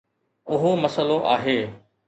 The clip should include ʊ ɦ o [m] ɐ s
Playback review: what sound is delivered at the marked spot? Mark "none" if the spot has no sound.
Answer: m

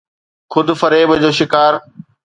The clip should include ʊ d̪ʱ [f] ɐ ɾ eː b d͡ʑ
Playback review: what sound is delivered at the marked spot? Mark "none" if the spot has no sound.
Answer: f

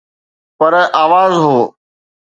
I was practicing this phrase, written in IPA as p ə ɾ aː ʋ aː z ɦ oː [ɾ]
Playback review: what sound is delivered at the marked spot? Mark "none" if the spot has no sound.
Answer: none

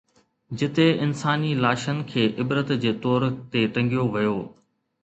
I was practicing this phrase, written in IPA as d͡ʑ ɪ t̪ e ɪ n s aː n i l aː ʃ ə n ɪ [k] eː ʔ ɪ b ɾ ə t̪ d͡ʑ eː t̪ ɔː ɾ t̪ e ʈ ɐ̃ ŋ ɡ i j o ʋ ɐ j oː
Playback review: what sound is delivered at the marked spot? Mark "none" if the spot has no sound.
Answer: kʰ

